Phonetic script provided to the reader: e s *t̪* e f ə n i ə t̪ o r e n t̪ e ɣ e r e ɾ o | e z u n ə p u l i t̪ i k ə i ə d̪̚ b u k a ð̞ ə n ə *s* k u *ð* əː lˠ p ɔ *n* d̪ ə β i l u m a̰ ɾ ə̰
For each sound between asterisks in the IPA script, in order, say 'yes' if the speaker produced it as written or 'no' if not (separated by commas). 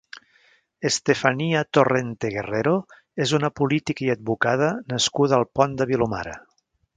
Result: yes, yes, yes, yes